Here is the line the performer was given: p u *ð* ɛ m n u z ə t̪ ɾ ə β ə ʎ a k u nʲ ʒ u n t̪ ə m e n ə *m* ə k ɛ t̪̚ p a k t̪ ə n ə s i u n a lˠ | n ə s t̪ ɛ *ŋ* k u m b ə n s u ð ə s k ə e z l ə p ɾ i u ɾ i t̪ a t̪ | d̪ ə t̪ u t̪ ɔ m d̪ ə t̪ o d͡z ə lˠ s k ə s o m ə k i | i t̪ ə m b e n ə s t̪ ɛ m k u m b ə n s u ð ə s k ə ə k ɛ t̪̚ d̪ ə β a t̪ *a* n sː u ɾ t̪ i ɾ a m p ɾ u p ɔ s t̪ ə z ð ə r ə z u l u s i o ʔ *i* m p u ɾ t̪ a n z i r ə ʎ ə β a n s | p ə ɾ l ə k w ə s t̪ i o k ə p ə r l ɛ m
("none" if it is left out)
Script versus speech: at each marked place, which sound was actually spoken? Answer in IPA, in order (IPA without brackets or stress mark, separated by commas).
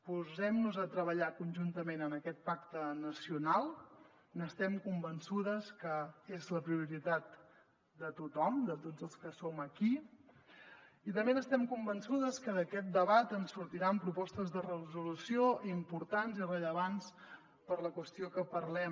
z, n, m, ə, i